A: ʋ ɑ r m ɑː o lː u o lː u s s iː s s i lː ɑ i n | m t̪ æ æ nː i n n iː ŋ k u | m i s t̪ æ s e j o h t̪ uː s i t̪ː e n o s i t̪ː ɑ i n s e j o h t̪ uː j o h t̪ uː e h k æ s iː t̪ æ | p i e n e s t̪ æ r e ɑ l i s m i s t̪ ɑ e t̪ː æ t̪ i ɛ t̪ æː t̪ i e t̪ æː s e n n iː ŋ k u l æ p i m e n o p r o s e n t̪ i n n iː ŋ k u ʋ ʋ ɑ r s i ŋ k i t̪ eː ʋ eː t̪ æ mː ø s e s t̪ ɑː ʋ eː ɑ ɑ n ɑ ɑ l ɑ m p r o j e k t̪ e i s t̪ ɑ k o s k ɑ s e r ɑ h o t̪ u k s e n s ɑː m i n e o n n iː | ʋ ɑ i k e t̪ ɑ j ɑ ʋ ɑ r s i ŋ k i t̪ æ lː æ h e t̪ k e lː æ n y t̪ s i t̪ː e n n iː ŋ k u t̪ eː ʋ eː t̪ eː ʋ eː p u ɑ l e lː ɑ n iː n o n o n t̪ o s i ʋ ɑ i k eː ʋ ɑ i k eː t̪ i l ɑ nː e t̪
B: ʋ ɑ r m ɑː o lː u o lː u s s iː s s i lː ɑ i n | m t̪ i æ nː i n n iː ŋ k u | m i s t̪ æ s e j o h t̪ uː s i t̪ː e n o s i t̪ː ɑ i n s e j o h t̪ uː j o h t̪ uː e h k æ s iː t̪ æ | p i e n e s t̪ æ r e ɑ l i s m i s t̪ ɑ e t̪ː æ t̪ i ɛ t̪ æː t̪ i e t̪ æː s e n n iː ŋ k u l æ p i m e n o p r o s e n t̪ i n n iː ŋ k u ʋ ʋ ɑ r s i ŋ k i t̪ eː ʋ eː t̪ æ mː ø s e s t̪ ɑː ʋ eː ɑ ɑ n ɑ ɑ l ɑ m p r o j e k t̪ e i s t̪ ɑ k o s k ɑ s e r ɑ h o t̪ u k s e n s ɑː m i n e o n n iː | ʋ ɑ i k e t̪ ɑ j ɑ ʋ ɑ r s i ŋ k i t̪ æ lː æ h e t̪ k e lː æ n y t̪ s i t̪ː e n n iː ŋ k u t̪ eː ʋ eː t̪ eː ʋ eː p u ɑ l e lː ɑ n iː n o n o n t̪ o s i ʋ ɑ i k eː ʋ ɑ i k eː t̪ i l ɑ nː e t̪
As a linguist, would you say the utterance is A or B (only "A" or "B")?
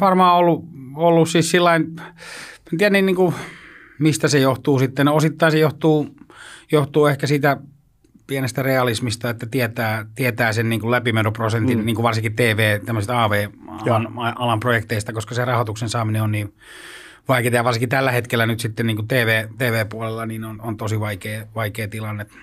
B